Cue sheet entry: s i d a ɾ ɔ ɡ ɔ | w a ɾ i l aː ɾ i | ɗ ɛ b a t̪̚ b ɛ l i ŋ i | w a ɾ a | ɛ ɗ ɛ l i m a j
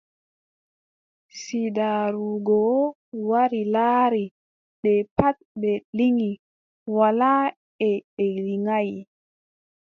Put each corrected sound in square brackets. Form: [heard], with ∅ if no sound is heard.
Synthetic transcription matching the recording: s i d a ɾ [u] ɡ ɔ | w a ɾ i l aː ɾ i | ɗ ɛ [p] a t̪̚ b ɛ l i ŋ i | w a [l] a | ɛ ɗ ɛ l i [ŋ] a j